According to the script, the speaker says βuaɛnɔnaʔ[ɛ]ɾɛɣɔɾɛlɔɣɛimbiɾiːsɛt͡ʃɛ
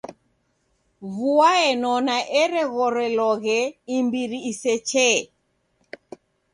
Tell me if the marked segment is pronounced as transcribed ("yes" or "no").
yes